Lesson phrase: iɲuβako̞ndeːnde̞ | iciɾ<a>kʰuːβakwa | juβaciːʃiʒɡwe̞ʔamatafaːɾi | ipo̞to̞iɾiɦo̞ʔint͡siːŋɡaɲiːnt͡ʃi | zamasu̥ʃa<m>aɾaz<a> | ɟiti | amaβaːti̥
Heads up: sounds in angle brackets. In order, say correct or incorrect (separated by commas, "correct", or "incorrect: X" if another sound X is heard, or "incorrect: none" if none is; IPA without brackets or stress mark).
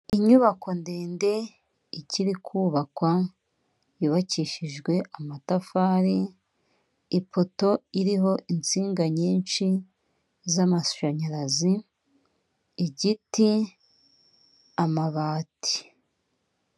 incorrect: i, incorrect: ɲ, incorrect: i